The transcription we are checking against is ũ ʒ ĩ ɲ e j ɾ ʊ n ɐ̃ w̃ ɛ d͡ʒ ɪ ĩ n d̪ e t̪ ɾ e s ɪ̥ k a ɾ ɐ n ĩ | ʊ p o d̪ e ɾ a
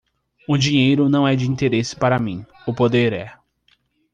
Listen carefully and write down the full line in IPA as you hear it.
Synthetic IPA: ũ d͡ʒ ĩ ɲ e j ɾ ʊ n ɐ̃ w̃ ɛ d͡ʒ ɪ ĩ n t̪ e ɾ e s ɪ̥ p a ɾ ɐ m ĩ | ʊ p o d̪ e ɾ ɛ